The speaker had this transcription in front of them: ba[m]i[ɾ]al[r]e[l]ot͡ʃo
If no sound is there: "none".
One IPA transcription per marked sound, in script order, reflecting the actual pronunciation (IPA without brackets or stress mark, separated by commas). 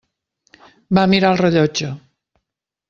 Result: m, ɾ, r, ʎ